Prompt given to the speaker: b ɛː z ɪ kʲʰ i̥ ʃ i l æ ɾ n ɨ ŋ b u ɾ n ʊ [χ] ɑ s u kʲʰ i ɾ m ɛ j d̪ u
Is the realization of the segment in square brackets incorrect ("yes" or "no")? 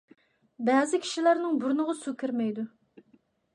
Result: yes